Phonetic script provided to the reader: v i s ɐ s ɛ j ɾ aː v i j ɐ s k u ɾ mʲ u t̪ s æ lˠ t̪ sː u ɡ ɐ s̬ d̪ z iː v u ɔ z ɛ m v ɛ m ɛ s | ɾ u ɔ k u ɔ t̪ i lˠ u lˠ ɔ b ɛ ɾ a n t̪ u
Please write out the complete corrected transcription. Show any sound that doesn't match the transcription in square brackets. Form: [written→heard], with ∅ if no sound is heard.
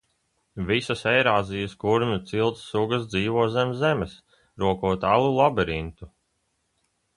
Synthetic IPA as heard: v i s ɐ s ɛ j ɾ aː [v→z] i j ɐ s k u ɾ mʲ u t̪ s [æ→i] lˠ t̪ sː u ɡ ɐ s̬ d̪ z iː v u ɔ z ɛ m [v→z] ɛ m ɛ s | ɾ u ɔ k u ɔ t̪ [i→a] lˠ u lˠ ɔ b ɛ ɾ [a→i] n t̪ u

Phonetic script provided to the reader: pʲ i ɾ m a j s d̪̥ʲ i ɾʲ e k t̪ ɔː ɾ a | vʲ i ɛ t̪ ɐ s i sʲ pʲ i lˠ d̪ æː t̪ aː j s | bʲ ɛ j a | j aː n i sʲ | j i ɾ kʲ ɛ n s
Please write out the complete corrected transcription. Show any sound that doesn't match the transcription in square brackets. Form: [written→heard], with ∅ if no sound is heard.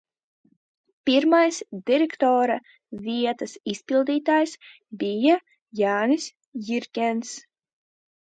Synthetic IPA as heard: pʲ i ɾ m a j s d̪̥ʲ i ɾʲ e k t̪ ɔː ɾ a | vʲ i ɛ t̪ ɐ s i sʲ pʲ i lˠ d̪ [æː→iː] t̪ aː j s | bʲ [ɛ→i] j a | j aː n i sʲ | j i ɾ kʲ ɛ n s

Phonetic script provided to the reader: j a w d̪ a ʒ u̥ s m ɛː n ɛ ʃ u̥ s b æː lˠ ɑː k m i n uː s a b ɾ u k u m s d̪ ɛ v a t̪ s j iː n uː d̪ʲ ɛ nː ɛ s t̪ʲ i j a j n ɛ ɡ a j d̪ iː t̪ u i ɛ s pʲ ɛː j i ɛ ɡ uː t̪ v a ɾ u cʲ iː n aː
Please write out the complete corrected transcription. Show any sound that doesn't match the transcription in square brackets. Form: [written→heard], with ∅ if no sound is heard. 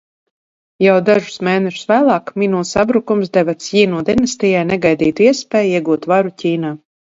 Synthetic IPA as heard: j a w d̪ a ʒ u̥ s m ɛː n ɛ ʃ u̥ s [b→v] æː lˠ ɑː k m i n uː s a b ɾ u k u m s d̪ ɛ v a t̪ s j iː n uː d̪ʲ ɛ [nː→n] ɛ s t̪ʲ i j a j n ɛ ɡ a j d̪ iː t̪ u i ɛ s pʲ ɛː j i ɛ ɡ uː t̪ v a ɾ u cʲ iː n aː

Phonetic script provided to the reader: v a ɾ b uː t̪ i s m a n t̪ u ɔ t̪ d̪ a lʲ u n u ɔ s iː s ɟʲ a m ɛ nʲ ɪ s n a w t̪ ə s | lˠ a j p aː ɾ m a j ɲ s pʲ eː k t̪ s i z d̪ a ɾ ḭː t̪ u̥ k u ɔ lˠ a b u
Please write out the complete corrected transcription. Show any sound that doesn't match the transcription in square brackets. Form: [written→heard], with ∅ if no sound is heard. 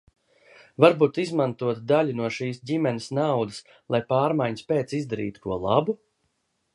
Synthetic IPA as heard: v a ɾ b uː t̪ i [s→z] m a n t̪ u ɔ t̪ d̪ a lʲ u n u ɔ [s→ʃ] iː s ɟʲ [a→i] m ɛ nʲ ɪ s n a w [t̪→d̪] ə s | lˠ a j p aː ɾ m a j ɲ s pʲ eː [k→∅] t̪ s i z d̪ a ɾ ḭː t̪ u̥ k u ɔ lˠ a b u

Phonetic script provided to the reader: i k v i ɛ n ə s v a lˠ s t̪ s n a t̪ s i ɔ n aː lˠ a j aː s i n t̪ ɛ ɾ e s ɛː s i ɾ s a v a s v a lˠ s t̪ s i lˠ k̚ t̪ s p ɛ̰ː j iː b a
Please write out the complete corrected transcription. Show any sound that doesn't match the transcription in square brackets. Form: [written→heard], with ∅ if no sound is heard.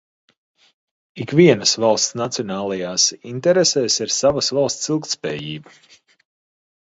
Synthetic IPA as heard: i k v i ɛ n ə s v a lˠ s t̪ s n a t̪ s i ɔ n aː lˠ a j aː s i n t̪ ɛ ɾ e s ɛː s i ɾ s a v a s v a lˠ s t̪ s i lˠ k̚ t̪ s p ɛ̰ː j iː b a

